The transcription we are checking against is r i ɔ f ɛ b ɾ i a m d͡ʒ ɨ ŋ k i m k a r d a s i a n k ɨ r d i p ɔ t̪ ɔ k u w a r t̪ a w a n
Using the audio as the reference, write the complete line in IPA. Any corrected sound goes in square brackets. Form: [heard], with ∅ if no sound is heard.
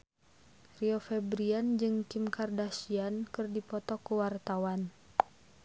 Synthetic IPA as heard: r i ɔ f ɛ b ɾ i a [n] d͡ʒ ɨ ŋ k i m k a r d a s i a n k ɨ r d i p ɔ t̪ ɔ k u w a r t̪ a w a n